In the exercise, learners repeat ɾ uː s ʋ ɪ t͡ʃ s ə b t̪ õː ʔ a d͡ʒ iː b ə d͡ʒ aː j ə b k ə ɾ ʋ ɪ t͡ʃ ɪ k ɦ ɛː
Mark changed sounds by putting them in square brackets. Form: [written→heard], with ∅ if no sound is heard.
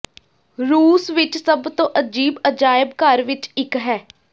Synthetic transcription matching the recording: ɾ uː s ʋ ɪ t͡ʃ s ə b t̪ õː ʔ [a→ə] d͡ʒ iː b ə d͡ʒ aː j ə b k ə ɾ ʋ ɪ t͡ʃ ɪ k ɦ ɛː